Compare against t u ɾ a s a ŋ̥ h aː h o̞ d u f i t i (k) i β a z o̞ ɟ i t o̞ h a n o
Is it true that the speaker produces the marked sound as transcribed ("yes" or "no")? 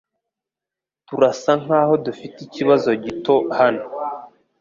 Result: no